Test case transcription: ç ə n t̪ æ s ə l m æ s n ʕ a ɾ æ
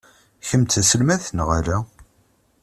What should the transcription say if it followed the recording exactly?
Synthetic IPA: ç ə m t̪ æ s ə l m æ θ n ʁ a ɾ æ

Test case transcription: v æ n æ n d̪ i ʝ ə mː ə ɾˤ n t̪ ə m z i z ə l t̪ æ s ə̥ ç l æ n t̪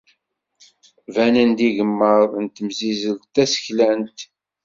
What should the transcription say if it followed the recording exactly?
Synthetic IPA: v æ n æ n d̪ i ʝ ə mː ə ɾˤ n t̪ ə m z i z ə l t̪ æ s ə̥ ç l æ n t̪

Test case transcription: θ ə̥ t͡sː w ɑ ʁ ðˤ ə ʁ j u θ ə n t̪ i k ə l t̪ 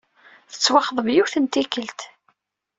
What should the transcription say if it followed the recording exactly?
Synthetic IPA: θ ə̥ t͡sː w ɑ χ ðˤ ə v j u θ ə n t̪ i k ə l t̪

